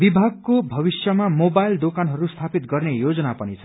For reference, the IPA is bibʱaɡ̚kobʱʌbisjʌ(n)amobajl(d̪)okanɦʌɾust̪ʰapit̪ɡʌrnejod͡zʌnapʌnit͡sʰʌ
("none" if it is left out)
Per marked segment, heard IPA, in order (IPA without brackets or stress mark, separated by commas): m, d̪